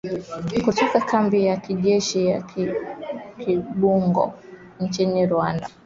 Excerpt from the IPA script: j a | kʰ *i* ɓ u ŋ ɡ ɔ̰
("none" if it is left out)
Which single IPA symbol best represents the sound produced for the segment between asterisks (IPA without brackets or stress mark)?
i